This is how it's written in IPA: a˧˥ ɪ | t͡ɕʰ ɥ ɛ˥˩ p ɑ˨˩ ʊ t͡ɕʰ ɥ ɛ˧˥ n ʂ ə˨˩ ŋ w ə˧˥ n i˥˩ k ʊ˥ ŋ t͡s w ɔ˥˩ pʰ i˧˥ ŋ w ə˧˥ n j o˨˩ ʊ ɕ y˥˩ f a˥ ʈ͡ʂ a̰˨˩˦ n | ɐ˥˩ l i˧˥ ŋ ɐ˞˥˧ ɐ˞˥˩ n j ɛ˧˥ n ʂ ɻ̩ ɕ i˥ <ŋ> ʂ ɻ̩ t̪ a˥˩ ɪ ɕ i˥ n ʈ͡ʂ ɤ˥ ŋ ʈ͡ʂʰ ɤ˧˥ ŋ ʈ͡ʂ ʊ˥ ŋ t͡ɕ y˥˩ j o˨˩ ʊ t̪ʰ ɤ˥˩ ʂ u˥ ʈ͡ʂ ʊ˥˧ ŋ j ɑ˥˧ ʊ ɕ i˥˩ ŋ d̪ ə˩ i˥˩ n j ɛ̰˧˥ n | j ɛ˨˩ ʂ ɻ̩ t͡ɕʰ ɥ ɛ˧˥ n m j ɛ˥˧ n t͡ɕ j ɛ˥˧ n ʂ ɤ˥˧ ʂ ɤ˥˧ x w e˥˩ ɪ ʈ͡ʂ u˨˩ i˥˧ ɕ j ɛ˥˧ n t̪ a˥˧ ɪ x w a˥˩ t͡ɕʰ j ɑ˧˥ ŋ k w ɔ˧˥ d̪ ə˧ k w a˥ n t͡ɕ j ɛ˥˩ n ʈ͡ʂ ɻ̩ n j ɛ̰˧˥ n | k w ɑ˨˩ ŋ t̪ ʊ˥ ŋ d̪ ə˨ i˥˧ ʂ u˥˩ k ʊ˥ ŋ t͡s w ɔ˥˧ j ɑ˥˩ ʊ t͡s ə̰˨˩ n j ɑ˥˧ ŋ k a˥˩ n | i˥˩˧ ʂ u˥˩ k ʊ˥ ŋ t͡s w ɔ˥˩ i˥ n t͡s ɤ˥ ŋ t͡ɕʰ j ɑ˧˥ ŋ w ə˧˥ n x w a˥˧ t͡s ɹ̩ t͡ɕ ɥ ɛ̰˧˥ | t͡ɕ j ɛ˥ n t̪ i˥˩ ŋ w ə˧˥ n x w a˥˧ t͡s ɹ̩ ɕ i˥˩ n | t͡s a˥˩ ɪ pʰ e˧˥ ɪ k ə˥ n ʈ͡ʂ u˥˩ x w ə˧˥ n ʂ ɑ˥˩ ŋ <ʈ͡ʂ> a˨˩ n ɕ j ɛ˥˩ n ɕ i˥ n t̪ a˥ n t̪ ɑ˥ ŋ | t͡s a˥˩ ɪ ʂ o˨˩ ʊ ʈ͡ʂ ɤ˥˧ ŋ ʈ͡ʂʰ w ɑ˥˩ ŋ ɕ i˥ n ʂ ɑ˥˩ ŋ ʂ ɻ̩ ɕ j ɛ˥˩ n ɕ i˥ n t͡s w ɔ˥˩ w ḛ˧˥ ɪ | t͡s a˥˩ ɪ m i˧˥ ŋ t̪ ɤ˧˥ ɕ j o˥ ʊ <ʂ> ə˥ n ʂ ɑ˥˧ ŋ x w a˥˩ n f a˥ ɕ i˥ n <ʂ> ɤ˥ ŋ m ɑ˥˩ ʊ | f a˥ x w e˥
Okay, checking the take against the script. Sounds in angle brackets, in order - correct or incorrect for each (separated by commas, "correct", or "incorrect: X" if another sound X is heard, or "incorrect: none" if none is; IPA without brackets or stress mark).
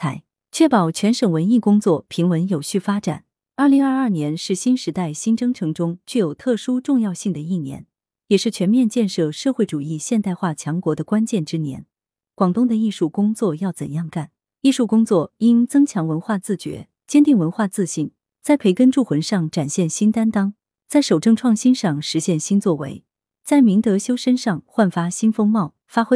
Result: incorrect: n, correct, correct, incorrect: f